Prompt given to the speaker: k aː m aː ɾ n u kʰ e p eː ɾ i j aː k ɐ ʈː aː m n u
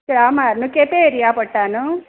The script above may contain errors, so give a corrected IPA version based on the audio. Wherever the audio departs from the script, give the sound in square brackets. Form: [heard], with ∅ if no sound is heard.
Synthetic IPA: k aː m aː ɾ n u [k] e p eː ɾ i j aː [p] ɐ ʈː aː [∅] n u

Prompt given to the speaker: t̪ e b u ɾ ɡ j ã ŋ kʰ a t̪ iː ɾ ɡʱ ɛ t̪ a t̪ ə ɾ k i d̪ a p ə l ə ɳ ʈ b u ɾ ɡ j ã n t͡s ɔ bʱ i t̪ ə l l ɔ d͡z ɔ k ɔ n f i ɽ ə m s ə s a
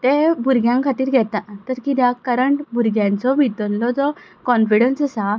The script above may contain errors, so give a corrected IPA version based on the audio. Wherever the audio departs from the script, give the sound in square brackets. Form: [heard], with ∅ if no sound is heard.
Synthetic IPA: t̪ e b u ɾ ɡ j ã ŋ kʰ a t̪ iː ɾ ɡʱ ɛ t̪ a t̪ ə ɾ k i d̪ a [k] ə [ɾ] ə ɳ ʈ b u ɾ ɡ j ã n t͡s ɔ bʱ i t̪ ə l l ɔ d͡z ɔ k ɔ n f i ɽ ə [n] s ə s a

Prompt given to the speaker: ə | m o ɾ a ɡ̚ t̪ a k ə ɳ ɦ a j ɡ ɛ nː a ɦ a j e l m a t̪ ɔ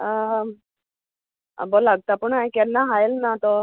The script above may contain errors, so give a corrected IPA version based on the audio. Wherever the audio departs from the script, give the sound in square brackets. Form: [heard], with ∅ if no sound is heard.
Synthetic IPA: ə | [b] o [l] a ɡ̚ t̪ a [p] ə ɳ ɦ a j [k] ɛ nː a ɦ a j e l [n] a t̪ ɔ

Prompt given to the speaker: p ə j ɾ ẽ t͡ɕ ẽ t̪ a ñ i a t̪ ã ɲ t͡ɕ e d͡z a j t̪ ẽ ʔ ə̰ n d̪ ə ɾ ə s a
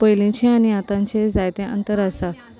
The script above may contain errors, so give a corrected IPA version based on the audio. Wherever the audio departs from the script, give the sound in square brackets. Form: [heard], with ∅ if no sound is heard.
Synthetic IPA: p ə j [l] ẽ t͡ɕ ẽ [∅] a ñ i a t̪ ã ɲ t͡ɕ e d͡z a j t̪ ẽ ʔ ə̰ n [t̪] ə ɾ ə s a

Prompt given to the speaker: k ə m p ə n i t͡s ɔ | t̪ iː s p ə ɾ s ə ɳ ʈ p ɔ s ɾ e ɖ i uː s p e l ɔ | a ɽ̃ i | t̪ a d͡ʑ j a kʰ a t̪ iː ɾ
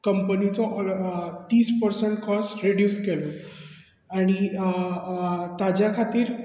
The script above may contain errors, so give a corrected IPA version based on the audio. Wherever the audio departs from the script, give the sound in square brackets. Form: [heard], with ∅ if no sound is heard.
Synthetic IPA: k ə m p ə n i t͡s ɔ | t̪ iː s p ə ɾ s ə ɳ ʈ [k] ɔ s ɾ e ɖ [j] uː s [k] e l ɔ | a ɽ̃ i | t̪ a d͡ʑ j a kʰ a t̪ iː ɾ

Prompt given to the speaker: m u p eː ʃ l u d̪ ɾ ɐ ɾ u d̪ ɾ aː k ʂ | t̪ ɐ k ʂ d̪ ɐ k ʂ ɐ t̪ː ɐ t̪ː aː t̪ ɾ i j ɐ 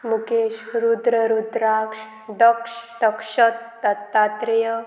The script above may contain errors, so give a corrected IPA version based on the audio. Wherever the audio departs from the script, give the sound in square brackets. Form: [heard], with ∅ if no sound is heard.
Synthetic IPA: m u [k] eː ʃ [ɾ] u d̪ ɾ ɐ ɾ u d̪ ɾ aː k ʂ | [d̪] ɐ k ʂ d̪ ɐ k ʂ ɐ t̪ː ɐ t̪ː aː t̪ ɾ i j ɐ

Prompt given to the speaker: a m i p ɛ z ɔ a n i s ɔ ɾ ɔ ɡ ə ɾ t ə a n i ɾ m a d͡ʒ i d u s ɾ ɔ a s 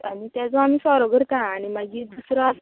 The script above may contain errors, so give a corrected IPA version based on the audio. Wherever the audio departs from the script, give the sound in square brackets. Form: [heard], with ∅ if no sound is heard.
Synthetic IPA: a m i [t] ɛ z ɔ a [m] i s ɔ ɾ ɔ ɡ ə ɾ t [a] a n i [∅] m a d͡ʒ i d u s ɾ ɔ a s

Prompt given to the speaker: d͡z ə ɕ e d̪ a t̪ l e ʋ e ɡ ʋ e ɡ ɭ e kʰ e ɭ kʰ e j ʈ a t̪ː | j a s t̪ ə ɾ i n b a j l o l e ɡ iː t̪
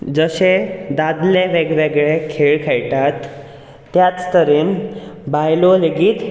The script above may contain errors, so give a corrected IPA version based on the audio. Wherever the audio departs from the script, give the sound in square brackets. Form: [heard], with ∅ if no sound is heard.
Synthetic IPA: d͡z ə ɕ e d̪ a [d̪] l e ʋ e ɡ ʋ e ɡ ɭ e kʰ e ɭ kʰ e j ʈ a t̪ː | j a [t͡s] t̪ ə ɾ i n b a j l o l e ɡ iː t̪

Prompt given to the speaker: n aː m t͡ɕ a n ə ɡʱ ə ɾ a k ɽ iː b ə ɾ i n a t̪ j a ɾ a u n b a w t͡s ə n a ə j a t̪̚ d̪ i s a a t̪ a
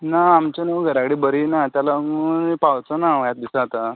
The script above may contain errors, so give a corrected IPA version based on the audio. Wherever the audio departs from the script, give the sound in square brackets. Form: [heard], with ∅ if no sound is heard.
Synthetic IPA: n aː m t͡ɕ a n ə ɡʱ ə ɾ a k ɽ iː b ə ɾ i n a t̪ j a [l] a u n [p] a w t͡s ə n a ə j a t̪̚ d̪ i s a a t̪ a

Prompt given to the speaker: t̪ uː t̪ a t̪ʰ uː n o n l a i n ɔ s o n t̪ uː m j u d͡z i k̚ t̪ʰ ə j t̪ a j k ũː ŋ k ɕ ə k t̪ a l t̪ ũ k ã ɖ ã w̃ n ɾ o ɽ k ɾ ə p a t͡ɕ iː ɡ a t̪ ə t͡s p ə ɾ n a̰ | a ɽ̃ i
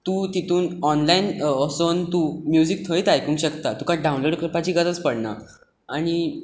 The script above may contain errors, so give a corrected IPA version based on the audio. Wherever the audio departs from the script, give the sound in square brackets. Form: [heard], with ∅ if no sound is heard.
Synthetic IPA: t̪ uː t̪ [i] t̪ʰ uː n [ɔ] n l a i n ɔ s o n t̪ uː m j u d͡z i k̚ t̪ʰ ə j t̪ a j k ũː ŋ k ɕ ə k t̪ a [∅] t̪ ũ k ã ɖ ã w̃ n [l] o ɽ k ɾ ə p a t͡ɕ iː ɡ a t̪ ə t͡s p ə [ɽ] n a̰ | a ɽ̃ i

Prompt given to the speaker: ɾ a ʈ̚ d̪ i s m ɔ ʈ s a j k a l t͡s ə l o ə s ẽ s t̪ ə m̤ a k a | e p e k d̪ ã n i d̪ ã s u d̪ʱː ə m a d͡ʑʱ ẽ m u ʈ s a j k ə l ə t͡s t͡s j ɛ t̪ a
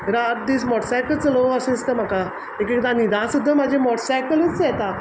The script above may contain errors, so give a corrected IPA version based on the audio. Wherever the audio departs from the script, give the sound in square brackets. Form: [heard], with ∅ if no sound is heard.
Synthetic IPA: ɾ a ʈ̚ d̪ i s m ɔ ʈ s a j k [ə] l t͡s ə l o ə s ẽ s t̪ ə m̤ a k a | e [k] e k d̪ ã n i d̪ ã s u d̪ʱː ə m a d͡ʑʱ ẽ m [ɔ] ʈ s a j k ə l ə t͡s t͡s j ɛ t̪ a

